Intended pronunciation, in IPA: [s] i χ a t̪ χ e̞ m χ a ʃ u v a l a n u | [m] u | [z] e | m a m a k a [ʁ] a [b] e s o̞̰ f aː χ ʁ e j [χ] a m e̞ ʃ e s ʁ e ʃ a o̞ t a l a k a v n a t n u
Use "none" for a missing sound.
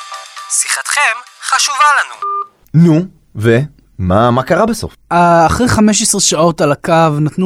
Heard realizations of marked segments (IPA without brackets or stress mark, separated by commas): s, n, v, ʁ, b, χ